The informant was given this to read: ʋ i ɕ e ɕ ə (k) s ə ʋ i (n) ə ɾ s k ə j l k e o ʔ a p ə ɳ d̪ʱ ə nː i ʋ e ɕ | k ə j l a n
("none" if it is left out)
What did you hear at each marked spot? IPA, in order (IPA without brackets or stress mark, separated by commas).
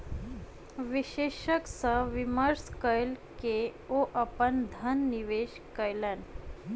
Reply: k, m